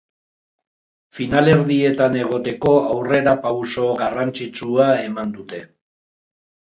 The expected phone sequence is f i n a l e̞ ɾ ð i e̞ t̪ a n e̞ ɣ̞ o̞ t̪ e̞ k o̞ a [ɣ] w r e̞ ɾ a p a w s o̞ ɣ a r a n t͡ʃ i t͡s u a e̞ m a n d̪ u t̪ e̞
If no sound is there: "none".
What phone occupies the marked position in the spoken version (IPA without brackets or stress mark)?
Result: none